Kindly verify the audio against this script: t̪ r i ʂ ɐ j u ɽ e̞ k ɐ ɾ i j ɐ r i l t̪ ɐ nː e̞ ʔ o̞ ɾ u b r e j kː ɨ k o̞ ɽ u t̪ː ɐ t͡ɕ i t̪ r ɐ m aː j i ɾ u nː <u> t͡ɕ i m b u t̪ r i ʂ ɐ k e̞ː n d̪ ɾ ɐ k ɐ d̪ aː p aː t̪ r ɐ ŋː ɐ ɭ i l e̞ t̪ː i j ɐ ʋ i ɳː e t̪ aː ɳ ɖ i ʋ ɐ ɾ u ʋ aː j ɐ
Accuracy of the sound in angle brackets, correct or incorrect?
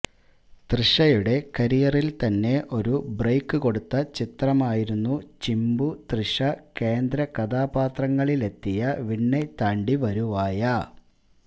correct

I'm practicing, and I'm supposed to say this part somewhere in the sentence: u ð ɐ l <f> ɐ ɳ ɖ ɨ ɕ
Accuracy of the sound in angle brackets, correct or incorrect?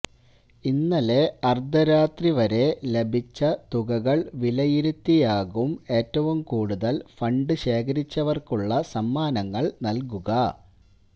correct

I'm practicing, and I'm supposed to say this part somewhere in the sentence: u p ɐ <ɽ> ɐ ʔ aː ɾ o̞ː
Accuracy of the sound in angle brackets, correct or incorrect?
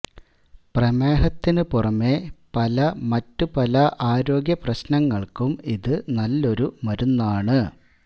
incorrect: l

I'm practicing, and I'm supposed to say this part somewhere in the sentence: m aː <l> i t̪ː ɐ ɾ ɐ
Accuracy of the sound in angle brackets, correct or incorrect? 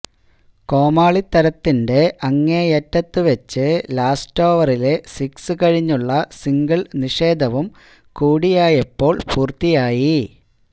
incorrect: ɭ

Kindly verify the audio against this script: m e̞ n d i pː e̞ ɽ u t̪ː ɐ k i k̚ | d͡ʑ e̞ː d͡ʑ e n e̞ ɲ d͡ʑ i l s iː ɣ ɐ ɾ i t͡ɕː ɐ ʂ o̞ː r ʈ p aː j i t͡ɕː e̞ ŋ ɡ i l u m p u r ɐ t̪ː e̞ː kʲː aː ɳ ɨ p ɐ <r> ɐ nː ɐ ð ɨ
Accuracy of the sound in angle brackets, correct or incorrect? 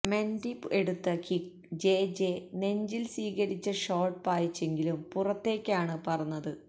correct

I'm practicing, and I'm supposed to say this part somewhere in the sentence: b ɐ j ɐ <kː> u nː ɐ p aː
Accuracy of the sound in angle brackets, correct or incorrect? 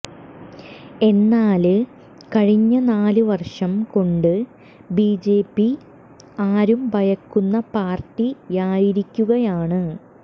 correct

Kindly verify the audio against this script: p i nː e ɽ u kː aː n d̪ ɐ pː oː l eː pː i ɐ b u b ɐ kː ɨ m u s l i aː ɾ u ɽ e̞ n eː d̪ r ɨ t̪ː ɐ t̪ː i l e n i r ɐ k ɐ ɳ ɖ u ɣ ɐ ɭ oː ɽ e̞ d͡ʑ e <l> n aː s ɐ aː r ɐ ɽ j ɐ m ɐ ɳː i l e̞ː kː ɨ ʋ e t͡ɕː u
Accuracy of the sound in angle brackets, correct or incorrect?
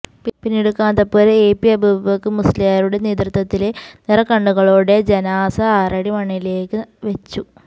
incorrect: none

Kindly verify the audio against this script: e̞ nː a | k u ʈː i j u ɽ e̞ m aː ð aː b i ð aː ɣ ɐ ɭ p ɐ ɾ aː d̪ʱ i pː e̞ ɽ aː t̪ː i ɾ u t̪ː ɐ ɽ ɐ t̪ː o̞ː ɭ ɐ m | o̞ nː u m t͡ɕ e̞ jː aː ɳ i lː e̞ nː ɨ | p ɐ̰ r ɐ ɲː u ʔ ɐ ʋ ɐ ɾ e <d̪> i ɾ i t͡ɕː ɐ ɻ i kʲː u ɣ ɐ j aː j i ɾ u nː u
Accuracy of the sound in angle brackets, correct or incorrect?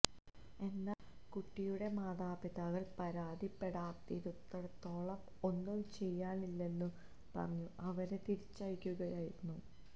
incorrect: t̪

